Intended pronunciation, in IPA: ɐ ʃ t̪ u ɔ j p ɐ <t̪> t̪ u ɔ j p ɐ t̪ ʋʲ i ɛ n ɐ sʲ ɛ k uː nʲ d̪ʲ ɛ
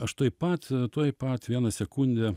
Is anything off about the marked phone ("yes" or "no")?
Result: no